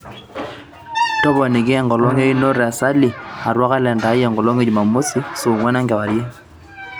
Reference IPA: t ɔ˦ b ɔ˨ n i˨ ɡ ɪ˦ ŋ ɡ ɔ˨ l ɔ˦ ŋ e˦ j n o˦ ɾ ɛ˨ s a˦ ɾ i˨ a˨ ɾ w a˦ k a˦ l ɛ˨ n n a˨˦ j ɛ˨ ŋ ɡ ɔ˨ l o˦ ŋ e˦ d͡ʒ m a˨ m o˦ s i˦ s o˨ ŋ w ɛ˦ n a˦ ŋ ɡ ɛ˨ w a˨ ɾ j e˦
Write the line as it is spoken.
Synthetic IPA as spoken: t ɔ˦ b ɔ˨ n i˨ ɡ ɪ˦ ŋ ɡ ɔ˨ l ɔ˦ ŋ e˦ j n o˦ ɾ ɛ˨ s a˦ l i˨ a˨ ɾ w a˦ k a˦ l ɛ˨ n d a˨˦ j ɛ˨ ŋ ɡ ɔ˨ l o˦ ŋ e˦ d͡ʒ m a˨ m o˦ s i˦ s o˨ ŋ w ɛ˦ n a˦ ŋ ɡ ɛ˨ w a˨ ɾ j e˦